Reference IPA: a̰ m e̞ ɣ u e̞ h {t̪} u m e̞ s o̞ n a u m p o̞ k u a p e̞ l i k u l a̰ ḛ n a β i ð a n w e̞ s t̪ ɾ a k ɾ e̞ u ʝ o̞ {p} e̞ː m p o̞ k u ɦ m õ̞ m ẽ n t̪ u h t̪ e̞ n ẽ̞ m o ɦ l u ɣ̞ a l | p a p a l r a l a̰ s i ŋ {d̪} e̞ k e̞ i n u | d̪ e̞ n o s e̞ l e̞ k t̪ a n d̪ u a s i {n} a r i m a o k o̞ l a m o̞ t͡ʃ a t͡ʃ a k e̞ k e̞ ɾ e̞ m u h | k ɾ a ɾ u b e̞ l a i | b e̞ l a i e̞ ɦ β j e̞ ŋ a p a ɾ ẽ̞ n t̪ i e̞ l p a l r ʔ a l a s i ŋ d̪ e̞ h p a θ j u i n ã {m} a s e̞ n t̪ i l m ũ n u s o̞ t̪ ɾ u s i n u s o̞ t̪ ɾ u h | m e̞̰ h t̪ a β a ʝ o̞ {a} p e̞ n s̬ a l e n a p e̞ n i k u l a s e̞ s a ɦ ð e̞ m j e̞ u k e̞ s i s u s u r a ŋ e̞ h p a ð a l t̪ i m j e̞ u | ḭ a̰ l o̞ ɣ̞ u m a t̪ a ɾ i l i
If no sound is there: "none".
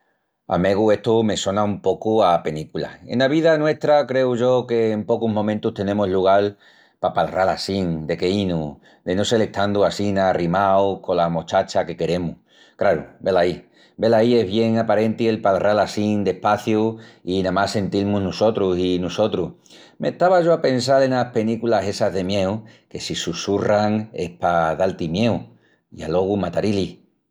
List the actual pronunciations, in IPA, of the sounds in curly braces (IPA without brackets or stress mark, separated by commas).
t̪, k, d̪, n, m, a